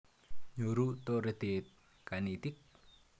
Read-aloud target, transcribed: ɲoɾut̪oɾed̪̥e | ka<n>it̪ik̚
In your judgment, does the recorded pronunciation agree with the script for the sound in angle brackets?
yes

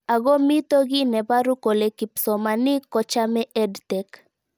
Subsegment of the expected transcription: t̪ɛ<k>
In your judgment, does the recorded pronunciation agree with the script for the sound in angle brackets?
yes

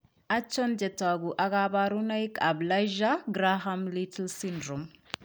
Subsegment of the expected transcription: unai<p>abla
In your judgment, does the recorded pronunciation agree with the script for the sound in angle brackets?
no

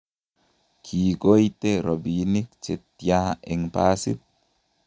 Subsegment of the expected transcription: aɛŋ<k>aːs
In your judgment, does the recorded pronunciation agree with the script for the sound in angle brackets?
no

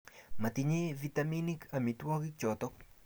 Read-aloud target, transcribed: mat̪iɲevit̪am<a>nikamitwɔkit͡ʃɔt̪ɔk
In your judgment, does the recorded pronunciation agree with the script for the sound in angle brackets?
no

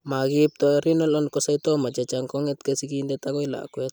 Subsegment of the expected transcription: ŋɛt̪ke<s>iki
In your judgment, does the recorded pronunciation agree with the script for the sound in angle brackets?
yes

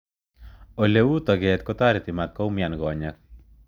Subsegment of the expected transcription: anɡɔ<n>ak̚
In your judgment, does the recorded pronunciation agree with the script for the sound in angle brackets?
no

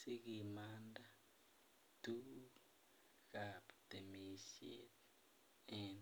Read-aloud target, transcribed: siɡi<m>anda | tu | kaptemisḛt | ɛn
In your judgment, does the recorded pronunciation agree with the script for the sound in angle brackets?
yes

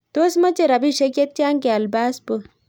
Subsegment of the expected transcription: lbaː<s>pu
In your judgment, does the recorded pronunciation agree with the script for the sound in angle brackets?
yes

